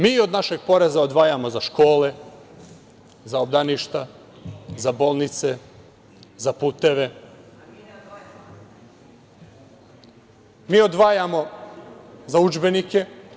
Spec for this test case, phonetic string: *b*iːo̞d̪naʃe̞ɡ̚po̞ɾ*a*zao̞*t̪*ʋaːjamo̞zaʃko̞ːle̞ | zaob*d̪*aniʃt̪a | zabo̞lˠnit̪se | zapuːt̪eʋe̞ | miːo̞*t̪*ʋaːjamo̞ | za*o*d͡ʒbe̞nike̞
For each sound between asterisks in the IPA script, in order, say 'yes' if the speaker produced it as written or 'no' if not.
no, no, no, yes, no, no

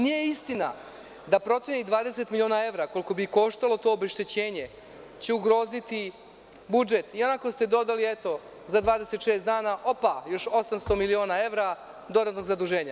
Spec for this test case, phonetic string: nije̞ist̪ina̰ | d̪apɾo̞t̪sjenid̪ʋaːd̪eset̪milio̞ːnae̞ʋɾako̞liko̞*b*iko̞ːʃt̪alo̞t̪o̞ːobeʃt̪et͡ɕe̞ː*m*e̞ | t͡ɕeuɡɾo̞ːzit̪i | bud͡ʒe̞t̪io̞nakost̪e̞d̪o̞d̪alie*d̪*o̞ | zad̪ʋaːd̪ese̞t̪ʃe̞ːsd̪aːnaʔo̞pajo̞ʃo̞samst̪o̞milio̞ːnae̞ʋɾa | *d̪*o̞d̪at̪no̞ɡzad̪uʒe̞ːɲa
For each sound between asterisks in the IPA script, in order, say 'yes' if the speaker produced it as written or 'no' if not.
yes, no, no, yes

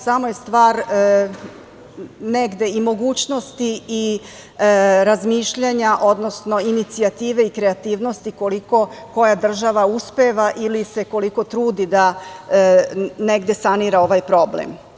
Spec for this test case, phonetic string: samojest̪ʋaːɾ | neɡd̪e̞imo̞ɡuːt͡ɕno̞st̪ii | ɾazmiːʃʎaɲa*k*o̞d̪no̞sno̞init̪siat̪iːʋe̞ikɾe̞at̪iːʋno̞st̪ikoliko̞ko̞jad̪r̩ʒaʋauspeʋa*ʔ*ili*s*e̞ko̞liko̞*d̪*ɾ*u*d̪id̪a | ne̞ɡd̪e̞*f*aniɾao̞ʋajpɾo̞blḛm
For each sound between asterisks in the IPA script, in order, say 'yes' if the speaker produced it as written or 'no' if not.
no, yes, yes, no, no, no

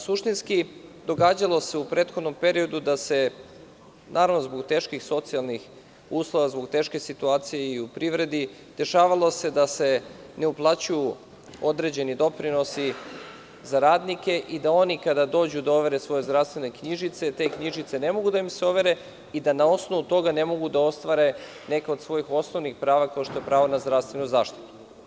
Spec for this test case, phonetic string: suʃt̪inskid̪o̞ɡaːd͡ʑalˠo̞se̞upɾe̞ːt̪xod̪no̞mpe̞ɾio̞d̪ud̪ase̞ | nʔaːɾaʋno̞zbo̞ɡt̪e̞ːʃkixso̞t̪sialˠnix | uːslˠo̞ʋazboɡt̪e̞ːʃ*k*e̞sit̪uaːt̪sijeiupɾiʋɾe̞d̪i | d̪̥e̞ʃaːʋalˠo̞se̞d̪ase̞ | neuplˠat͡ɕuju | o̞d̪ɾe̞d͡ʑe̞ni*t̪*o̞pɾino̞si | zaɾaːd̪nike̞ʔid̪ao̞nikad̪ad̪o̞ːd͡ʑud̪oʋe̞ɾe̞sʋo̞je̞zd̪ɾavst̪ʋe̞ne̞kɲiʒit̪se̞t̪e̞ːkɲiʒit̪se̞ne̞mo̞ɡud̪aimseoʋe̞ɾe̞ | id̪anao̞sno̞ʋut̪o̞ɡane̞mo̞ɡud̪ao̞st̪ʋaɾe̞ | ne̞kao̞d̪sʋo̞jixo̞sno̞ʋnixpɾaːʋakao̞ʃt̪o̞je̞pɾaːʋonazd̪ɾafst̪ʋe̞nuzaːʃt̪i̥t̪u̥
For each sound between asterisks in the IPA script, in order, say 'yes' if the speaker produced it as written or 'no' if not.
yes, no

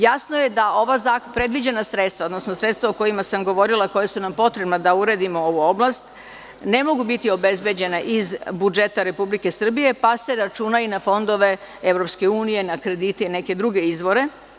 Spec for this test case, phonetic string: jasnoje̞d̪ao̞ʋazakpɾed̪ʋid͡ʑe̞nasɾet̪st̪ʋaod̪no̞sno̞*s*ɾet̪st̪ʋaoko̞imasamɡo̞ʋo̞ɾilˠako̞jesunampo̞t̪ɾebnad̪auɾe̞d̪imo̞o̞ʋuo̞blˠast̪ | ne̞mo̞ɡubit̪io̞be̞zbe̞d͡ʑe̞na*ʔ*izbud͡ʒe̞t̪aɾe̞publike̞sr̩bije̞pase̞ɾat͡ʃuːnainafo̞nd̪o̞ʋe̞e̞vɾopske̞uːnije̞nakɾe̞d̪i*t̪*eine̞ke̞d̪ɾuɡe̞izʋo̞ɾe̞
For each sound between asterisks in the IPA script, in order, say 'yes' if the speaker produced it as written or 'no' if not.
yes, yes, yes

